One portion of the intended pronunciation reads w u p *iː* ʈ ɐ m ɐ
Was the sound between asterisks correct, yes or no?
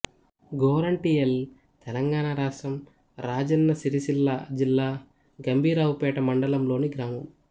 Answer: no